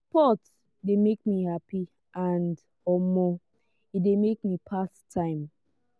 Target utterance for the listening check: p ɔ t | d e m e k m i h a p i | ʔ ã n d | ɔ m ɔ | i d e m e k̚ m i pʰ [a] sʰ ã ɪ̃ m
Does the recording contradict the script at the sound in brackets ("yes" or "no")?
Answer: no